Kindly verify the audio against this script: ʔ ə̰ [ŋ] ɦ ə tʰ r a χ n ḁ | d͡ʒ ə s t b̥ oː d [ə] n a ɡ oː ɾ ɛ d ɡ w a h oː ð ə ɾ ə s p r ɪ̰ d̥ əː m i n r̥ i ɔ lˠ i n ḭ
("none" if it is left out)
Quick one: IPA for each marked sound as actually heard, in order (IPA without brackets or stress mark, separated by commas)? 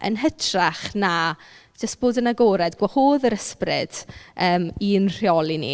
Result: n, ə